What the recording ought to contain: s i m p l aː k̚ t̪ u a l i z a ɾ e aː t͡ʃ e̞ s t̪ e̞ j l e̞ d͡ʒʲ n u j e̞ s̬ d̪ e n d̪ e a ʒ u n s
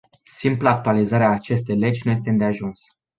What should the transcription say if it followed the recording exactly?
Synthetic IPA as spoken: s i m p l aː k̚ t̪ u a l i z a ɾ e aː t͡ʃ e̞ s t̪ e̞ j l e̞ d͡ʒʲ n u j e̞ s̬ t̪ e n d̪ e a ʒ u n s